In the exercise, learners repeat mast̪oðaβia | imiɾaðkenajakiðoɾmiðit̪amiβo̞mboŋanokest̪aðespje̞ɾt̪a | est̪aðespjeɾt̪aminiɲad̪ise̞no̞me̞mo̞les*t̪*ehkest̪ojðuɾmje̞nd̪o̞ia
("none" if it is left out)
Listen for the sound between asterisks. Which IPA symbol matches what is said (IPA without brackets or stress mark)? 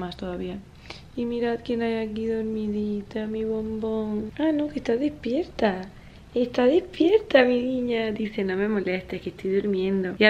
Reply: t̪